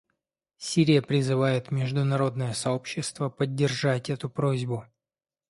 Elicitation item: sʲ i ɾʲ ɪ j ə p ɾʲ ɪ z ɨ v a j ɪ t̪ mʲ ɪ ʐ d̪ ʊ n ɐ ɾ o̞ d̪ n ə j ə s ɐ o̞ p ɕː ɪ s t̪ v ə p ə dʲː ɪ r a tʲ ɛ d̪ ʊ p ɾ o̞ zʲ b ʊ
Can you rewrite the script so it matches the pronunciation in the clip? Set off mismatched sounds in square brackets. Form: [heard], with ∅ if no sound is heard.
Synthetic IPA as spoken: sʲ i ɾʲ ɪ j ə p ɾʲ ɪ z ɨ v a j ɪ t̪ mʲ ɪ ʐ d̪ ʊ n ɐ ɾ o̞ d̪ n ə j ə s ɐ o̞ p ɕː ɪ s t̪ v ə p ə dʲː ɪ r a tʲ ɛ [t̪] ʊ p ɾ o̞ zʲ b ʊ